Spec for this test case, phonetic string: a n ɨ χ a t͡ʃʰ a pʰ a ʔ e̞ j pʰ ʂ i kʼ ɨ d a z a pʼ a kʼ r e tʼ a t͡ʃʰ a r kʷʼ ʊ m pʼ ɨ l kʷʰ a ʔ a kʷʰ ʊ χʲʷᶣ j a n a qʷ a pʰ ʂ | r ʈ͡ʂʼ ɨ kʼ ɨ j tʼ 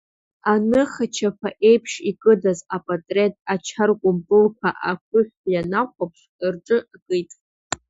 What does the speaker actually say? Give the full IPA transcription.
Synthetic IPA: a n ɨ χ a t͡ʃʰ a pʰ a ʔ e̞ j pʰ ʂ i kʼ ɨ d a z a pʼ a tʼ r e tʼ a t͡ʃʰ a r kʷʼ ʊ m pʼ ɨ l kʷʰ a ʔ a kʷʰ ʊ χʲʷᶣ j a n a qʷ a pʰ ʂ | r ʈ͡ʂʼ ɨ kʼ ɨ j tʼ

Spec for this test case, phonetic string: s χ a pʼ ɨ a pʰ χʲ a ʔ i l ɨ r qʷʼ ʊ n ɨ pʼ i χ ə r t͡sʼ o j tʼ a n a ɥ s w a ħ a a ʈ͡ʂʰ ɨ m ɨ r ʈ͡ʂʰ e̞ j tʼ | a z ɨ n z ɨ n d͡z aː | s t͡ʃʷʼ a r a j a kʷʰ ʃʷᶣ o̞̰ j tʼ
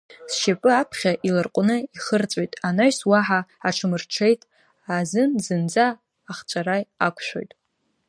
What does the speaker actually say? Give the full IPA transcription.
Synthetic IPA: s ʃ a pʼ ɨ a pʰ χʲ a ʔ i l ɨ r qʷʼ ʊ n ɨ i χ ə r t͡sʼ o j tʼ a n a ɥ s w a ħ a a ʈ͡ʂʰ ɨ m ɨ r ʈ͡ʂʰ e̞ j tʼ | a z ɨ n z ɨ n d͡z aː | χ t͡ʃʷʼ a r a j a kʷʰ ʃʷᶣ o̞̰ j tʼ

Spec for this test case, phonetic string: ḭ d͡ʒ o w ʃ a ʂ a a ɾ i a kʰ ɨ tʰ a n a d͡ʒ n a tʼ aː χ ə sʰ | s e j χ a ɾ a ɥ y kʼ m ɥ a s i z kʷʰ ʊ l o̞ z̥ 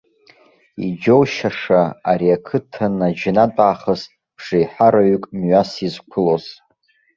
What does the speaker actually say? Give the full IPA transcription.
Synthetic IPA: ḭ d͡ʒ o w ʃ a ʂ a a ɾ i a kʰ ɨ tʰ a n a d͡ʒ n a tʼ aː χ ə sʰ | ʂ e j ħ a ɾ a ɥ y kʼ m ɥ a s i z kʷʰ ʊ l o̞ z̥

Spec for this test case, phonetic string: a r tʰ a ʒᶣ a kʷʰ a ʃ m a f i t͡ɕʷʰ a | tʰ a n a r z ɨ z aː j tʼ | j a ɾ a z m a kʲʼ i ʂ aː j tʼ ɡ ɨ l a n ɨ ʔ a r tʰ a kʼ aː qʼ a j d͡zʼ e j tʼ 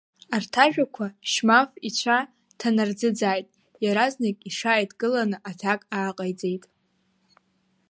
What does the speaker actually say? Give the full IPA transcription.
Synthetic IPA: a r tʰ a ʒᶣ a kʷʰ a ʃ m a f i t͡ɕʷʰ a | tʰ a n a r d͡z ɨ d͡z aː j tʼ | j a ɾ a z n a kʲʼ i ʂ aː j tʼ ɡ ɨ l a n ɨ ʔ a tʰ a kʼ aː qʼ a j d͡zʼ e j tʼ

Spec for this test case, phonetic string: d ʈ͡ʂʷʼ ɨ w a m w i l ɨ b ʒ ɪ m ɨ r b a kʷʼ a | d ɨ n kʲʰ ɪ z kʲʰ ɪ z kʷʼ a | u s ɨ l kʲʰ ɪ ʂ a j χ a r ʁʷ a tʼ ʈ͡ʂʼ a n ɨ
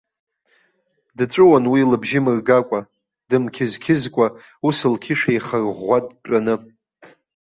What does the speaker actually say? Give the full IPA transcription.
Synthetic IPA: d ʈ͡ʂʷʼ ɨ w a n w i l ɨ b ʒ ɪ m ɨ r ɡ a kʷʼ a | d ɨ m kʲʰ ɪ z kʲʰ ɪ z kʷʼ a | u s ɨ l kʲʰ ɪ ʂ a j χ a r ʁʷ a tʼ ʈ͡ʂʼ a n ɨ

